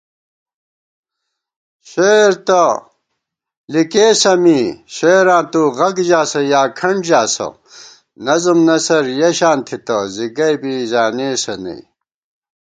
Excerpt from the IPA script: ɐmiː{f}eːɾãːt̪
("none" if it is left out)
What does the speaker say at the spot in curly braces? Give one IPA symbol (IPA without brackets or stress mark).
ɕ